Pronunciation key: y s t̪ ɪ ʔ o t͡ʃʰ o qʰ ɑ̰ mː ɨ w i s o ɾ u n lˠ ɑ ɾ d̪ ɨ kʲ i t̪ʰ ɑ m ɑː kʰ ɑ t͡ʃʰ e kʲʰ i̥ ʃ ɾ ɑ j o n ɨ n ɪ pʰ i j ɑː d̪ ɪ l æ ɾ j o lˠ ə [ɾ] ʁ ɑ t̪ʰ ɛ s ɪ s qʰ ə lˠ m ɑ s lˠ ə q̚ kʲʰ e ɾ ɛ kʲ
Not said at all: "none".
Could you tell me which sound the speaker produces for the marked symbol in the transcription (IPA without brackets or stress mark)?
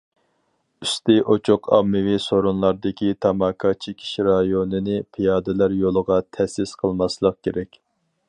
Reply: none